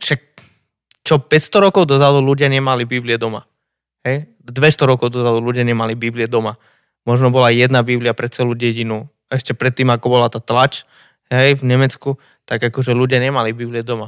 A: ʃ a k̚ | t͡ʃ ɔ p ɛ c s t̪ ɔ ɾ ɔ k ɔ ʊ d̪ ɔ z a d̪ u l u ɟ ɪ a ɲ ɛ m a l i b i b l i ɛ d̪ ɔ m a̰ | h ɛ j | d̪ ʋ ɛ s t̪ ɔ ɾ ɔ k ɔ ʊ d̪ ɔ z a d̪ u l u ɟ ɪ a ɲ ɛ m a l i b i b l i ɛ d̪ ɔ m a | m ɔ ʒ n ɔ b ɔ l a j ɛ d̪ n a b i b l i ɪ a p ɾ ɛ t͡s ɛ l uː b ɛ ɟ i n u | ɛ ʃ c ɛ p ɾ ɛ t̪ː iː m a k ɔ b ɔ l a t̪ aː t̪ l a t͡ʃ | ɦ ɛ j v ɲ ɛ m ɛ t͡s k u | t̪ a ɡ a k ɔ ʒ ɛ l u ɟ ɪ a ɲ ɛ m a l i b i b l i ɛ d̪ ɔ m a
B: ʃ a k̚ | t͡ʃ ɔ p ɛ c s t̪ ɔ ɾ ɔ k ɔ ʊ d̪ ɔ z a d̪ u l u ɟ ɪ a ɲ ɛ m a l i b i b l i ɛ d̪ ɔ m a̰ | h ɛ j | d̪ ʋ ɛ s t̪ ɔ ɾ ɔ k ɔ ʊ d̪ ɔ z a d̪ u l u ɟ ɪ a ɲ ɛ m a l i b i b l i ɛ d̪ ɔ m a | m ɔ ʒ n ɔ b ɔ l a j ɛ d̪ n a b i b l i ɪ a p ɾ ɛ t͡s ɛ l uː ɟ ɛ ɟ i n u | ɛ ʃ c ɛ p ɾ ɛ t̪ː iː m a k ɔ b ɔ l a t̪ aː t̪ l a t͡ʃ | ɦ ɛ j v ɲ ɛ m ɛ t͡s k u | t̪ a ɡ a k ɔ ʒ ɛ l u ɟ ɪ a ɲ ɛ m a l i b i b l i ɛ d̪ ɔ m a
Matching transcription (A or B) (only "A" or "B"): B